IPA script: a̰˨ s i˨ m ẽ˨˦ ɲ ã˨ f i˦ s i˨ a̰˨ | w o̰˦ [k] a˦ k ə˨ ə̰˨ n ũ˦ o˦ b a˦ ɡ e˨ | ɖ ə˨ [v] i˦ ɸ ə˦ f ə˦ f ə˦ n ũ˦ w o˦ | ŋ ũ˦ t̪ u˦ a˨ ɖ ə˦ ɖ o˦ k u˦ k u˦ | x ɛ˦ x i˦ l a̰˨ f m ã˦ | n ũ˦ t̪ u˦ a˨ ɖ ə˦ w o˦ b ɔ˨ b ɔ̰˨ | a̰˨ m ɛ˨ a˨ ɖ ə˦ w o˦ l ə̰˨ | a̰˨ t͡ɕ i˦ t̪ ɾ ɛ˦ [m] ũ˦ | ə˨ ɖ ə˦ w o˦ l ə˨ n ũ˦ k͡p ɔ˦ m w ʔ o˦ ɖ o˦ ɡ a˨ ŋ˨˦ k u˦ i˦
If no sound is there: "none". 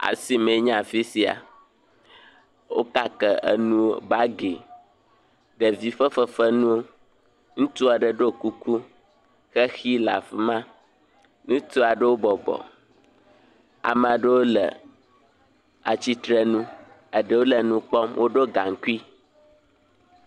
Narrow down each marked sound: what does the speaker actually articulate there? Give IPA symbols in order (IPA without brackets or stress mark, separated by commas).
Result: k, v, n